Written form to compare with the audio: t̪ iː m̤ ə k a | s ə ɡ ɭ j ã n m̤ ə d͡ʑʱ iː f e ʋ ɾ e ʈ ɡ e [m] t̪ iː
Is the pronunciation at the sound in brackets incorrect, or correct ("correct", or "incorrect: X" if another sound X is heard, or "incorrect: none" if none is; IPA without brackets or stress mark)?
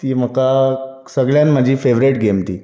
correct